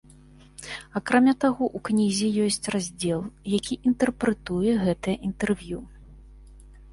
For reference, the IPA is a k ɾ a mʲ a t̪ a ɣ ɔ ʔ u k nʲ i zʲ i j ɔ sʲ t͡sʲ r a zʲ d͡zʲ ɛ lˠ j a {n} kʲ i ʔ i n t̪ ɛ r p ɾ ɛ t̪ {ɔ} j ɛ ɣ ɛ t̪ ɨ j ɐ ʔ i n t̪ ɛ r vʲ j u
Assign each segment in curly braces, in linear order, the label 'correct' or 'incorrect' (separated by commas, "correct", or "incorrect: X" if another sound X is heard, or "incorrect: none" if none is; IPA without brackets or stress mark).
incorrect: none, incorrect: u